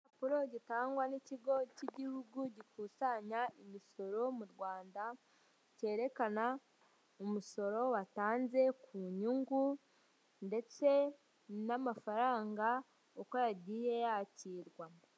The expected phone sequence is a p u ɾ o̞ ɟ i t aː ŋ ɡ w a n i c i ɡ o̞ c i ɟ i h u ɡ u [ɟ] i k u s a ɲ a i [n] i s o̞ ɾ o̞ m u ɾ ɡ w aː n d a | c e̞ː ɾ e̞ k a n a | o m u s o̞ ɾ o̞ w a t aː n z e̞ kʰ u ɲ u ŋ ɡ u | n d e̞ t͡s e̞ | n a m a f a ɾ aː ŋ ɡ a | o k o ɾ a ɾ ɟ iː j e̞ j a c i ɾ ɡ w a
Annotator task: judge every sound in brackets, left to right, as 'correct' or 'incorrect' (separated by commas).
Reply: correct, incorrect